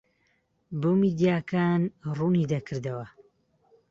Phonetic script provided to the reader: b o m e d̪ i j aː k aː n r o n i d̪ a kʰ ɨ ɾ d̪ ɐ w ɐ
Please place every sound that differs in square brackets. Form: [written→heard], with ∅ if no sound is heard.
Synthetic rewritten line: b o m [e→i] d̪ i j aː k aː n r [o→u] n i d̪ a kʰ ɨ ɾ d̪ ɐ w ɐ